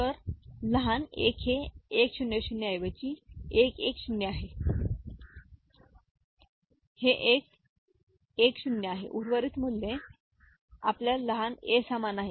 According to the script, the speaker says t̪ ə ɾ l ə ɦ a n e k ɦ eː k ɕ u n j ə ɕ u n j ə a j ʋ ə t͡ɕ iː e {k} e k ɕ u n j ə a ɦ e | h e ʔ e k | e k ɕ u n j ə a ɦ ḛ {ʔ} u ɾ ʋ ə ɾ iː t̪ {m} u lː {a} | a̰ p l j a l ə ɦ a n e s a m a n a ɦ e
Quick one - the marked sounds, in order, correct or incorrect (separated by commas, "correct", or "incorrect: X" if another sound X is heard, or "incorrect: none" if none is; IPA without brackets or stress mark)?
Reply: correct, correct, correct, incorrect: e